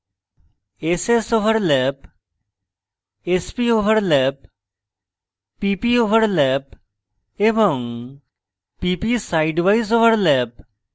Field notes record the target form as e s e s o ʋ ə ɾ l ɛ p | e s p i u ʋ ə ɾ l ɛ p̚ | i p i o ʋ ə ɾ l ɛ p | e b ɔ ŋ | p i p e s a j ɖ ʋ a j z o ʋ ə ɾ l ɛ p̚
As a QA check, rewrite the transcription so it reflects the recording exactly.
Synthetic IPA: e s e s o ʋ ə ɾ l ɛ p | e s p i o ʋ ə ɾ l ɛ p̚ | i p i o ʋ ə ɾ l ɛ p | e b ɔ ŋ | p i p i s a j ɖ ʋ a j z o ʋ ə ɾ l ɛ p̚